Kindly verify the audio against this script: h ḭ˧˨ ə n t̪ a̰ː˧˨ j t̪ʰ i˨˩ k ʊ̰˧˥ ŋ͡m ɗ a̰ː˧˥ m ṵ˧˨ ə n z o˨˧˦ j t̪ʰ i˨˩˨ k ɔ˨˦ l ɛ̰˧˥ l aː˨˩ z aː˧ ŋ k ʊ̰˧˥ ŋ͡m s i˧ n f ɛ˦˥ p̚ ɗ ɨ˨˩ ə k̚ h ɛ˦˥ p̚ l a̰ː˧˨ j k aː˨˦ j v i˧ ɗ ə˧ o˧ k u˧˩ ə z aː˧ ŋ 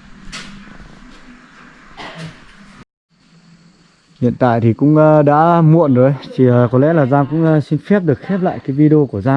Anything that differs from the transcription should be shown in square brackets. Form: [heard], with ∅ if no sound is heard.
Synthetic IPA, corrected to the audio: h ḭ˧˨ ə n t̪ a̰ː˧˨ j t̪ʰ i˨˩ k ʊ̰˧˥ ŋ͡m ɗ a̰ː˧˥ m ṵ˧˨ ə n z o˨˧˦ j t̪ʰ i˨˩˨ k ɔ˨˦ l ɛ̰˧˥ l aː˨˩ z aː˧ ŋ k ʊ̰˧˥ ŋ͡m s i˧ n f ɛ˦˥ p̚ ɗ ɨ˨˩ ə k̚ [x] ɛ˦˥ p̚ l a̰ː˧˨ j k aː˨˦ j v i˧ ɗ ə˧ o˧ k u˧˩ ə z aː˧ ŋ